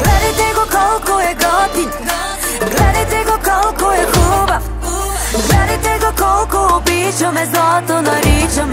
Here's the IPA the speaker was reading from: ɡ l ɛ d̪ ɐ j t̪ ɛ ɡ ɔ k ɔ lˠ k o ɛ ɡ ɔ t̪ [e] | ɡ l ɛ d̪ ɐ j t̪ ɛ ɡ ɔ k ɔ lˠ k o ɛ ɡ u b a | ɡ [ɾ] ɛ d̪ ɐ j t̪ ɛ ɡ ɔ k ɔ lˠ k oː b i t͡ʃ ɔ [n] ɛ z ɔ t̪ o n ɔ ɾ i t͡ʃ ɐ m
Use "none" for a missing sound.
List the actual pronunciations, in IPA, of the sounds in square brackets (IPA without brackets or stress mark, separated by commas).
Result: i, l, m